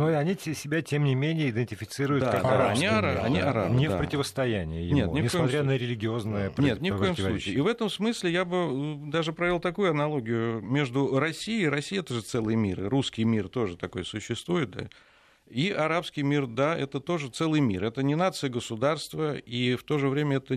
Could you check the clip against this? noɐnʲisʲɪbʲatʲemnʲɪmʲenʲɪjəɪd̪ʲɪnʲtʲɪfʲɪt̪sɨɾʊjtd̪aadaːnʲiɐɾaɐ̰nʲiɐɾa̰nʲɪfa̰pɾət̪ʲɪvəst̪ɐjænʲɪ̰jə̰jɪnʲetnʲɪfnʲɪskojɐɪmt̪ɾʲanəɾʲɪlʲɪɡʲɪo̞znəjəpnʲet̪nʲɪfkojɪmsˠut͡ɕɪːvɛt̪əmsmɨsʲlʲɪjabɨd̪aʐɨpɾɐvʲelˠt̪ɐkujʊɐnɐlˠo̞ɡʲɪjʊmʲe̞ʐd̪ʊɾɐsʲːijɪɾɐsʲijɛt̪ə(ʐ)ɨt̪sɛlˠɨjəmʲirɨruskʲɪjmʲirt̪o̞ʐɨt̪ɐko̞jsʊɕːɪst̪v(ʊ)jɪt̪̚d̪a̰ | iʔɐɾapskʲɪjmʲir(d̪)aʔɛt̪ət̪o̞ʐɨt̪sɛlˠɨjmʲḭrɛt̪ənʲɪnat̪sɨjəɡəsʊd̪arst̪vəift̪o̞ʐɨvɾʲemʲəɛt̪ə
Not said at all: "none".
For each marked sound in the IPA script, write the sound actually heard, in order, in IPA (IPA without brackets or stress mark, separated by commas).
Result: ʐ, u, d̪